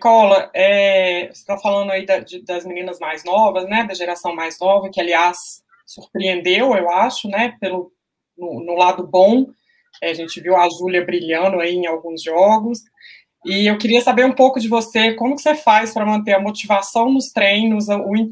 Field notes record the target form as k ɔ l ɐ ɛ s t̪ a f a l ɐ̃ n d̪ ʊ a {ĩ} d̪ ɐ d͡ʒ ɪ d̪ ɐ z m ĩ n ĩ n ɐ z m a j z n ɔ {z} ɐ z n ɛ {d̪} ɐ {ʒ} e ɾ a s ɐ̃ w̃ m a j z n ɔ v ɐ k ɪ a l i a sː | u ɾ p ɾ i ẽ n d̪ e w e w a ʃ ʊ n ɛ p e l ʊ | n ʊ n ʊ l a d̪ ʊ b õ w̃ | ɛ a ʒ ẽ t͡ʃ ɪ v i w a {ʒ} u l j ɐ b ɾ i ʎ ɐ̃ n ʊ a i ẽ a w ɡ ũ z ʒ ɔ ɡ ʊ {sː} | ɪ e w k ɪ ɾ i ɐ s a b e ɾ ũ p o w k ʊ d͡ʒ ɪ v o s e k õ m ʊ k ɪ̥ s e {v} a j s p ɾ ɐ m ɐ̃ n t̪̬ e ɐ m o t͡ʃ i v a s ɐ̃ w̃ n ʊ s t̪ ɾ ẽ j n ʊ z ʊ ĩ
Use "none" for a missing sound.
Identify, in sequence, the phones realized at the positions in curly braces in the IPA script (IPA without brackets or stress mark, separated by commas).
i, v, d̪, ʒ, ʒ, s, f